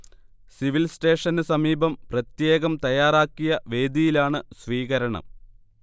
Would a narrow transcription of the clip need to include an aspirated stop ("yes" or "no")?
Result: no